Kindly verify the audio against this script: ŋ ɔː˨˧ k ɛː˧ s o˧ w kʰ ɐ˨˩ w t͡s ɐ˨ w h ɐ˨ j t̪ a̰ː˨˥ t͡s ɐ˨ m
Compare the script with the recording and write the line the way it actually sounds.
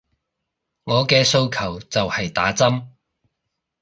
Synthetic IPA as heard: ŋ ɔː˨˧ k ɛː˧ s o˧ w kʰ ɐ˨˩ w t͡s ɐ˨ w h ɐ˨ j t̪ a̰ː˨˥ t͡s ɐ˥ m